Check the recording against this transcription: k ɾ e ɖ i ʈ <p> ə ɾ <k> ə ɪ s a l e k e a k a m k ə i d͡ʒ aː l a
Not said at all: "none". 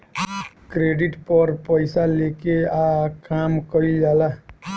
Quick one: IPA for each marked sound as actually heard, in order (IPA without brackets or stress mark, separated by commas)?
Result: p, p